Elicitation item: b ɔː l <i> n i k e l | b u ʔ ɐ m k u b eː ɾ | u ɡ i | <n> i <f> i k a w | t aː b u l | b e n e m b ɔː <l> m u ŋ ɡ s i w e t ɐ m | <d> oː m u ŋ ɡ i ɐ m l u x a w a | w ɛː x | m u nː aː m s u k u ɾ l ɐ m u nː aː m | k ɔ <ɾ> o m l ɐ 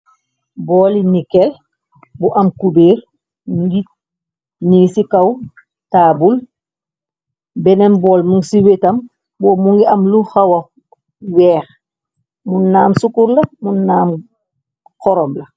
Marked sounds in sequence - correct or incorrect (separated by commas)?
correct, correct, incorrect, correct, incorrect, correct